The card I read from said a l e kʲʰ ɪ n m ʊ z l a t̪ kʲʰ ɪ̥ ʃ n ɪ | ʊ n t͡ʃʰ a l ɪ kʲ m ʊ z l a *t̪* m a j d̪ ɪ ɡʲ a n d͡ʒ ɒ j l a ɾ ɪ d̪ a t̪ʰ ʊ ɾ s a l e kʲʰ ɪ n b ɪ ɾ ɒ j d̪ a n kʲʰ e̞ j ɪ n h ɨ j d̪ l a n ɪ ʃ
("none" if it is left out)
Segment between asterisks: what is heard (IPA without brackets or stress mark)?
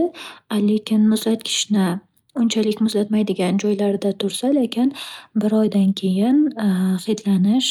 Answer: t̪